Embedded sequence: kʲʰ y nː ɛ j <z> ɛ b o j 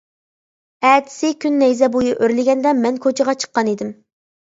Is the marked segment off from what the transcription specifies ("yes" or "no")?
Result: no